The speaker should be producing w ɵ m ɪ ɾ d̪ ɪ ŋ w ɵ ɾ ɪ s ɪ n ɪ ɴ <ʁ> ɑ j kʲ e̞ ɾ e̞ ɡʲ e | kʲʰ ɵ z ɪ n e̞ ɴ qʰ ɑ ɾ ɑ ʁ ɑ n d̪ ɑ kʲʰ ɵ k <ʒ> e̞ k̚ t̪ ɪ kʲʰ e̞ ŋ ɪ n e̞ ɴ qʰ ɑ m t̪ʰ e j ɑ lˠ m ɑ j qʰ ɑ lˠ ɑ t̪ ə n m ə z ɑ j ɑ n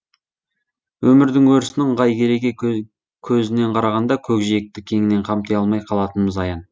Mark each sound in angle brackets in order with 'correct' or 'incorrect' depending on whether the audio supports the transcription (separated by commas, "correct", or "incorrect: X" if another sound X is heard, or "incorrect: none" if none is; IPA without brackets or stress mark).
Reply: correct, correct